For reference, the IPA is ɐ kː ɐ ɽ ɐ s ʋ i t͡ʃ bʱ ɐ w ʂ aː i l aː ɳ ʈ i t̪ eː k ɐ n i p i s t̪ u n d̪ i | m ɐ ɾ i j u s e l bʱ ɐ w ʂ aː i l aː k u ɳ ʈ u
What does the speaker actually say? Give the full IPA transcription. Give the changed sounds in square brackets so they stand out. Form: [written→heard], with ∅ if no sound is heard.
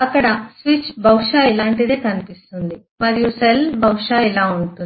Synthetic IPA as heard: ɐ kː ɐ ɽ ɐ s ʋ i t͡ʃ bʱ ɐ w ʂ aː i l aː ɳ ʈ i [t̪→d̪] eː k ɐ n i p i s t̪ u n d̪ i | m ɐ ɾ i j u s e l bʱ ɐ w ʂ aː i l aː [k→∅] u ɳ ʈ u